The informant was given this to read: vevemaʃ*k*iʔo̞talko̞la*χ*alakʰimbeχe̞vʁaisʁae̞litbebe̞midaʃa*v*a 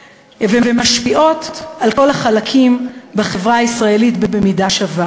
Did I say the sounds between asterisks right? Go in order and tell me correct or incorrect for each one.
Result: incorrect: p, correct, correct

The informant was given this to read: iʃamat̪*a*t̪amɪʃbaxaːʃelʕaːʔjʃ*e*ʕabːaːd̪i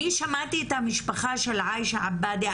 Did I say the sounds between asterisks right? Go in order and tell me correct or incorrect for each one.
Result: incorrect: i, incorrect: a

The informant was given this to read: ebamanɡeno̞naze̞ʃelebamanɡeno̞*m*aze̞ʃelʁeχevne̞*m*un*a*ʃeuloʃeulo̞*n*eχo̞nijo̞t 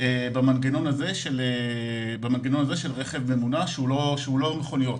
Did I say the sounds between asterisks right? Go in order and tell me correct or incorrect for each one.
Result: incorrect: n, correct, correct, incorrect: m

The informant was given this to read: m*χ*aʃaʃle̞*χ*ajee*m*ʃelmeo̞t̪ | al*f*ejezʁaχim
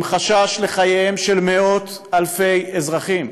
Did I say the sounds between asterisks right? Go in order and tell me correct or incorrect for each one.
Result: correct, correct, correct, correct

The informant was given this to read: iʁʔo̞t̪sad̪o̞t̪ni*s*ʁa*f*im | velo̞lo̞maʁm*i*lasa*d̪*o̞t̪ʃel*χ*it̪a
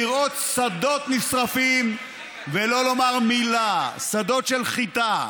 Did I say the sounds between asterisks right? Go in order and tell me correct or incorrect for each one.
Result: correct, correct, correct, correct, correct

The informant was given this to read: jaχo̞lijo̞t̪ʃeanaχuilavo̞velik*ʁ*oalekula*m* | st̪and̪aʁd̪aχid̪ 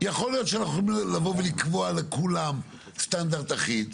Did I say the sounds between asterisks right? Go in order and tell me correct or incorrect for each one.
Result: incorrect: v, correct

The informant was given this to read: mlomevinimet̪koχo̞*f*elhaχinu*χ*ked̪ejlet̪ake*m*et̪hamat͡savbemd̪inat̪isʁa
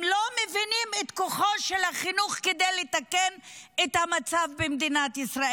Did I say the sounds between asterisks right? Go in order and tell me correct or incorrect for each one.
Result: incorrect: ʃ, correct, incorrect: n

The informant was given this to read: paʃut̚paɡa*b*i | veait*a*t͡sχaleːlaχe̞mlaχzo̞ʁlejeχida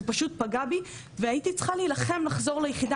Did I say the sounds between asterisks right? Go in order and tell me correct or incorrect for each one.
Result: correct, incorrect: i

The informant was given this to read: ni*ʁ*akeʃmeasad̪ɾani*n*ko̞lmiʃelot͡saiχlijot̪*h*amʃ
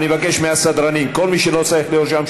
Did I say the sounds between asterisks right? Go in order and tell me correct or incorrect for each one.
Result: incorrect: v, incorrect: m, incorrect: ʃ

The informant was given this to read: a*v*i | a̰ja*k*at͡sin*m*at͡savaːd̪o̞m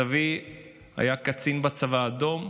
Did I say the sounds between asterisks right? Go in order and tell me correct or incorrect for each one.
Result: correct, correct, incorrect: b

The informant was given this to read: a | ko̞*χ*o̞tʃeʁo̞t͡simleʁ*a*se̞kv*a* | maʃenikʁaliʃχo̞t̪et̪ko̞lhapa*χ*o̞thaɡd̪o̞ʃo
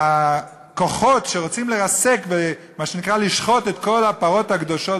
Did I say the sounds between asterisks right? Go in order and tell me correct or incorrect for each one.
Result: correct, correct, incorrect: e, incorrect: ʁ

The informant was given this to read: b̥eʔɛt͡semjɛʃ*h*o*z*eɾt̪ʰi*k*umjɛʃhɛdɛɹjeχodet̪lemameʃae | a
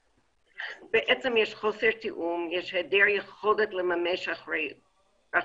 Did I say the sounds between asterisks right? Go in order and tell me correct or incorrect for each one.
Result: incorrect: χ, incorrect: s, incorrect: ʔ

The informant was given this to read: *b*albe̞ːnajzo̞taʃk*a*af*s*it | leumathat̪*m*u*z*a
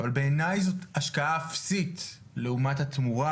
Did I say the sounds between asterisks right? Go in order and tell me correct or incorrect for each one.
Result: incorrect: v, correct, correct, correct, incorrect: ʁ

